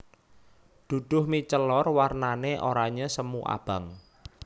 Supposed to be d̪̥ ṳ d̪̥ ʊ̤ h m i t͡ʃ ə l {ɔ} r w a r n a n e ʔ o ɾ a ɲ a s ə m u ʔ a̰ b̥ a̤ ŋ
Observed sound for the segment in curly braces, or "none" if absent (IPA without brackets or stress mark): ɔ